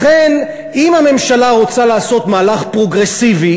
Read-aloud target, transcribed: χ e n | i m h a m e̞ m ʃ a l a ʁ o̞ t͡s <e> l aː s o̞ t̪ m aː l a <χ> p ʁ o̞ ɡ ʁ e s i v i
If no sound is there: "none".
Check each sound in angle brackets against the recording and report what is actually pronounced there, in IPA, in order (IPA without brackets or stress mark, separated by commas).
a, χ